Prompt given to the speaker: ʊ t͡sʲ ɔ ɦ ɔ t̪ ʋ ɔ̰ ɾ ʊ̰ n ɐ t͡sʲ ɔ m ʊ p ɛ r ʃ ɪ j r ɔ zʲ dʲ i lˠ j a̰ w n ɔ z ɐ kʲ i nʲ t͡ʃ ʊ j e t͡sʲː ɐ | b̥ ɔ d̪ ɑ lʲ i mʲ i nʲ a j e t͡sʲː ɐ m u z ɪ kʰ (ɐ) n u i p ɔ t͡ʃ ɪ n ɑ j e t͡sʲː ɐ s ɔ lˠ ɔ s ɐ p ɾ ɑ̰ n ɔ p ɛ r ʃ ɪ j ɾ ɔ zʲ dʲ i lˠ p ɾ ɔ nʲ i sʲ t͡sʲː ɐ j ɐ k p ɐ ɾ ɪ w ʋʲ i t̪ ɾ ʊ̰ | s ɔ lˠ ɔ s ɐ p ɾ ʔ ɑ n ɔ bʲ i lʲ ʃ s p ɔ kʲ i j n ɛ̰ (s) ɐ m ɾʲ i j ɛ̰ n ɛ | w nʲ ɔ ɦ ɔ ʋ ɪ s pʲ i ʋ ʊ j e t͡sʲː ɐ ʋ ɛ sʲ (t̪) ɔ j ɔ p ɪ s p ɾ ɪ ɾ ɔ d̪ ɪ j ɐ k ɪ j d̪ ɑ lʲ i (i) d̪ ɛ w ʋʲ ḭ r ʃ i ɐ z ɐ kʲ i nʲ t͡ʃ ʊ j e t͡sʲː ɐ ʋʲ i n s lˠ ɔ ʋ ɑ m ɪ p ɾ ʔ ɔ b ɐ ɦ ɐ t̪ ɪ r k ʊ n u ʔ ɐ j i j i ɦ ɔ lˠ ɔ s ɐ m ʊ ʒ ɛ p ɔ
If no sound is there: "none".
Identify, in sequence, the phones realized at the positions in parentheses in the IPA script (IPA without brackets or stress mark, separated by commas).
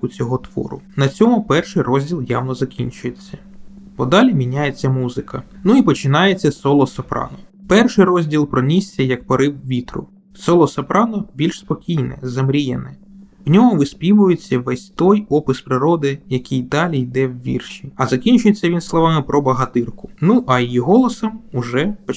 ɐ, z, t̪, j